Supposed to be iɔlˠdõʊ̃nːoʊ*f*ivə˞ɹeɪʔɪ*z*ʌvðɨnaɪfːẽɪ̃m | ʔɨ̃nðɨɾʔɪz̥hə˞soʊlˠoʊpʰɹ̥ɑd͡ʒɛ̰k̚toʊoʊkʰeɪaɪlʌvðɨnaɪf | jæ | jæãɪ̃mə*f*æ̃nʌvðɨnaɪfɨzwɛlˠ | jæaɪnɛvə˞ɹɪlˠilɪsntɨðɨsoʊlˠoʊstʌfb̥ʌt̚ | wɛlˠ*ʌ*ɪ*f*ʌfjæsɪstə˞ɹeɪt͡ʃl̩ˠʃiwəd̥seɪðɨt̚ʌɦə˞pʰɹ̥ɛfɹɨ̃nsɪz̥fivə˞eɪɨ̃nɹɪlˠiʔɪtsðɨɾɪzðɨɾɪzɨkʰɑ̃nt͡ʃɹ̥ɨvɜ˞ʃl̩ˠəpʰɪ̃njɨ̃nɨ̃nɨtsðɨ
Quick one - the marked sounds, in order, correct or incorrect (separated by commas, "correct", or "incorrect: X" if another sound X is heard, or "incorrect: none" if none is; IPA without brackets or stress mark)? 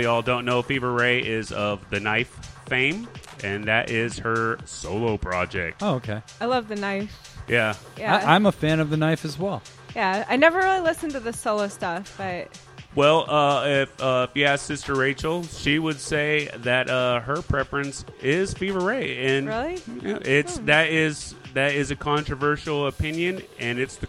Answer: correct, correct, correct, correct, correct